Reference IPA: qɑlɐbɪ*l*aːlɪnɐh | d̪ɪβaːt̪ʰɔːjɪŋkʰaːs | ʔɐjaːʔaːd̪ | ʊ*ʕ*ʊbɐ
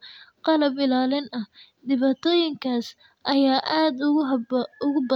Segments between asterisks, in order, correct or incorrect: correct, incorrect

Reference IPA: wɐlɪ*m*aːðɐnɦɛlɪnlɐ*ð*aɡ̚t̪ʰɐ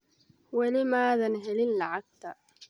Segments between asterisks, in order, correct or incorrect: correct, incorrect

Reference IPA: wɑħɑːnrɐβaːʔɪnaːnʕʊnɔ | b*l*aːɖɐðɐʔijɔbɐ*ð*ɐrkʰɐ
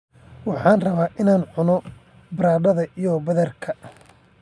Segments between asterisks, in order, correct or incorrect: incorrect, correct

